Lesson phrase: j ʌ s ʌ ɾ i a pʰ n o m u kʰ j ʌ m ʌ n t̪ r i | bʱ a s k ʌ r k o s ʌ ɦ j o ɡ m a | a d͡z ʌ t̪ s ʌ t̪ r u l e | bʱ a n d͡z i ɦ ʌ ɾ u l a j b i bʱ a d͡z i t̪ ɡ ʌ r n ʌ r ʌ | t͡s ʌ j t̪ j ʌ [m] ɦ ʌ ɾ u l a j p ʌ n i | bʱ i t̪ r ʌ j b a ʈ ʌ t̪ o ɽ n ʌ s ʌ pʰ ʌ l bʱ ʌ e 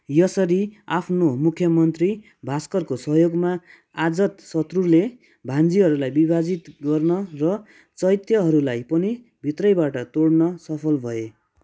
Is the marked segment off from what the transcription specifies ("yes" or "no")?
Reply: yes